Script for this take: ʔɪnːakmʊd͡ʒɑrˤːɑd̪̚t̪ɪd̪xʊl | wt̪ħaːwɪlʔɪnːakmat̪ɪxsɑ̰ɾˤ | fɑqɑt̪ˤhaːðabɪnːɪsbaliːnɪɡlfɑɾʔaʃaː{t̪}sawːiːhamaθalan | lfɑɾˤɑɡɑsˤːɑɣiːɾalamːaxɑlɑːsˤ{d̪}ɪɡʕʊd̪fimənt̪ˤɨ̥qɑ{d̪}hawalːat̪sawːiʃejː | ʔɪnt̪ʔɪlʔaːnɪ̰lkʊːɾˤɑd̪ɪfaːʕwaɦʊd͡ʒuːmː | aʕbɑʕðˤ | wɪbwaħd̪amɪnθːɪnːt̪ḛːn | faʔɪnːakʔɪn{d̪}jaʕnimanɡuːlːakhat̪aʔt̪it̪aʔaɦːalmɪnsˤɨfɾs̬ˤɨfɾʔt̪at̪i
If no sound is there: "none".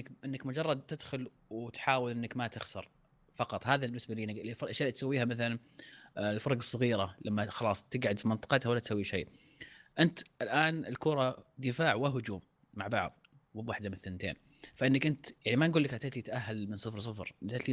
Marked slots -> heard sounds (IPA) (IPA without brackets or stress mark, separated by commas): t̪, t̪, t̪, t̪